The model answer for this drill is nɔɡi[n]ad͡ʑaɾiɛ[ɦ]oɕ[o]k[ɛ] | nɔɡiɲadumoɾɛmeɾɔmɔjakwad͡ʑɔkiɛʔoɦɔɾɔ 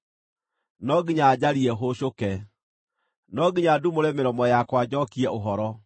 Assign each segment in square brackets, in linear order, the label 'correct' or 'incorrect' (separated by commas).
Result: incorrect, correct, correct, correct